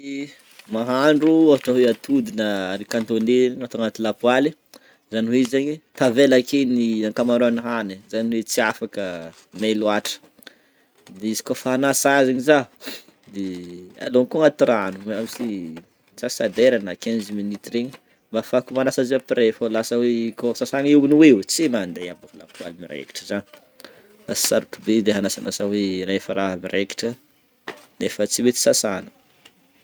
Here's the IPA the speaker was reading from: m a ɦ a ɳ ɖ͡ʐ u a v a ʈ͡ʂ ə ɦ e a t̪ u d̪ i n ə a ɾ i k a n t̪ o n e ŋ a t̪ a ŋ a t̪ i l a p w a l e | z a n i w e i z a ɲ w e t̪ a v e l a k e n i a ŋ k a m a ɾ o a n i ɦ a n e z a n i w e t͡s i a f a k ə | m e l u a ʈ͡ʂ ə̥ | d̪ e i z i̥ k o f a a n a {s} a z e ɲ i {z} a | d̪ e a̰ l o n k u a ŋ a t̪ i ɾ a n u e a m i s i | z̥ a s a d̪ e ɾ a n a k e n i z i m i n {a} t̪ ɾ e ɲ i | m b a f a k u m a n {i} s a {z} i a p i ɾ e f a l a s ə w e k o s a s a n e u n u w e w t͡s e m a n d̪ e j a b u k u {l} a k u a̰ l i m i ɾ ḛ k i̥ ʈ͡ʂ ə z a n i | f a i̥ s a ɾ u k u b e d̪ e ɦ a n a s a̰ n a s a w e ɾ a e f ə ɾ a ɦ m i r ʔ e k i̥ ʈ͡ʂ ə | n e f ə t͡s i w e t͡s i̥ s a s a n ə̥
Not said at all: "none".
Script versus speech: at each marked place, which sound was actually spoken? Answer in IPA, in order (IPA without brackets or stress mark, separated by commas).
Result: s, z, i, a, z, l